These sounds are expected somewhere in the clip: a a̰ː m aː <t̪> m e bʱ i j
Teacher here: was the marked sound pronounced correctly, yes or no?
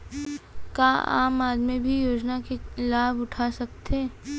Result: no